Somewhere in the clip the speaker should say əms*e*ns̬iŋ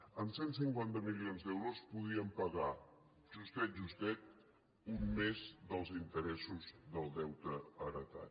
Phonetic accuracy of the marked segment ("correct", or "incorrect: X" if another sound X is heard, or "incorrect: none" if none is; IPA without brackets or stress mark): correct